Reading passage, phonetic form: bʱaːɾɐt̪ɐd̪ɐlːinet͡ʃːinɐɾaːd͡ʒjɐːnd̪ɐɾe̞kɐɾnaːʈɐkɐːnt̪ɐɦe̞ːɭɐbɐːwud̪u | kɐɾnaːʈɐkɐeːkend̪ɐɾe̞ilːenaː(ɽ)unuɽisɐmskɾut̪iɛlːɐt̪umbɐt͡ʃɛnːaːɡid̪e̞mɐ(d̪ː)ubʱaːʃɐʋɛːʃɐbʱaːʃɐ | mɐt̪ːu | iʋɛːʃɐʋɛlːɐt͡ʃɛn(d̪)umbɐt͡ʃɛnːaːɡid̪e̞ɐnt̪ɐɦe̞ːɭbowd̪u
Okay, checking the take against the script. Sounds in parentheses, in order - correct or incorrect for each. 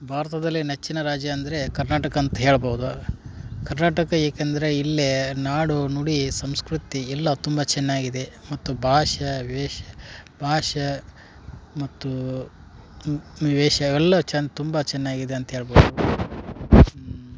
correct, incorrect: t̪ː, incorrect: t̪

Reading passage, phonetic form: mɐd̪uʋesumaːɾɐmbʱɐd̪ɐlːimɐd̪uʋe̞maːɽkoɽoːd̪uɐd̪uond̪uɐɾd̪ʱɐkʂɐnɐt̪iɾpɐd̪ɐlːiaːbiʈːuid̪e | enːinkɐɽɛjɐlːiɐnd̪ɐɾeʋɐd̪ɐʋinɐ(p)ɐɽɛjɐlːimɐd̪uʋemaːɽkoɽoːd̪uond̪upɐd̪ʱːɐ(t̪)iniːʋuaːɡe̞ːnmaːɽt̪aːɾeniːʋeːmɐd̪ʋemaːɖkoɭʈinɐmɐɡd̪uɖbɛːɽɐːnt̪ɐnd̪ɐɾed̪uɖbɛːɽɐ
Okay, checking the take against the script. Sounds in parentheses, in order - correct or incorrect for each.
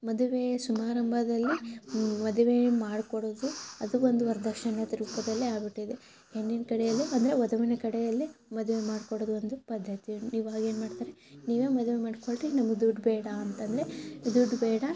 incorrect: k, correct

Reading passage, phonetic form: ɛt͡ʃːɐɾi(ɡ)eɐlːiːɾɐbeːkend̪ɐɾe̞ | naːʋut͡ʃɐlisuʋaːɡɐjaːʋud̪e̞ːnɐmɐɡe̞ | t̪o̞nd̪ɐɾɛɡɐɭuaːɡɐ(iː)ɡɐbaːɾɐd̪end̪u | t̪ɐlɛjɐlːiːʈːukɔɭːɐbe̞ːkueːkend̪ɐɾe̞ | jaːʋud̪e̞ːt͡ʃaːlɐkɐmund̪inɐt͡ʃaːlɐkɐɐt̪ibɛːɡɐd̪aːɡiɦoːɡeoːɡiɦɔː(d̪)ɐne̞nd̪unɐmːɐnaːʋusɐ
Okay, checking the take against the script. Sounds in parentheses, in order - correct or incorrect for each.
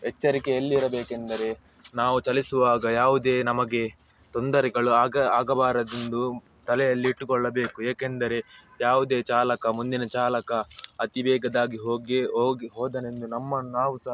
incorrect: k, incorrect: aː, correct

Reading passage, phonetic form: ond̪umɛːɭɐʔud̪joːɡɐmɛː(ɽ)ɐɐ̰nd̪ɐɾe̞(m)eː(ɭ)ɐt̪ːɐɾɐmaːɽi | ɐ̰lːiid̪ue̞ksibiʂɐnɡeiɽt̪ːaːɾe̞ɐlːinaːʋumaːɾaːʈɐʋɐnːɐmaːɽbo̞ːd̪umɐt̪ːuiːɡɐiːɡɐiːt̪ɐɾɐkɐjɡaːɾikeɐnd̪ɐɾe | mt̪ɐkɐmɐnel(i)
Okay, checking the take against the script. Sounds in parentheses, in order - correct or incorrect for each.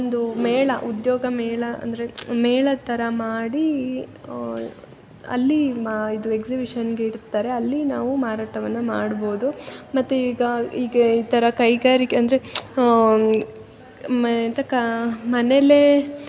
incorrect: ɭ, correct, correct, incorrect: e

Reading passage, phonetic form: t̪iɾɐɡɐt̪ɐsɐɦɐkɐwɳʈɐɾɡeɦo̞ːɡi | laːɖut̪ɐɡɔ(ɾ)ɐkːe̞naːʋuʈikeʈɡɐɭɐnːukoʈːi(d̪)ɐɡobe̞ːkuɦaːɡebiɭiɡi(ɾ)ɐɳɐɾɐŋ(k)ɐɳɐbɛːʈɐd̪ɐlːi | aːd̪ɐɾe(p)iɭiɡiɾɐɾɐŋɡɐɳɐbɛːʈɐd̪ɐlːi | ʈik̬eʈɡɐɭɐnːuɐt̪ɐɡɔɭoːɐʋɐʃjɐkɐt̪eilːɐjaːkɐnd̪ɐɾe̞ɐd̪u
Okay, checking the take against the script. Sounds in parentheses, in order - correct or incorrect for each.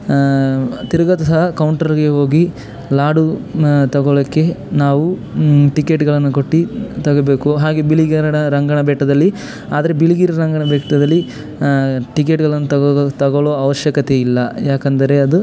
incorrect: ɭ, incorrect: t̪, correct, incorrect: ɡ, incorrect: b

